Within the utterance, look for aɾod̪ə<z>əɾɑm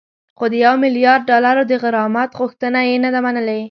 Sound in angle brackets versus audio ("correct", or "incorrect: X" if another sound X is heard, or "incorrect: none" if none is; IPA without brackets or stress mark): incorrect: ɣ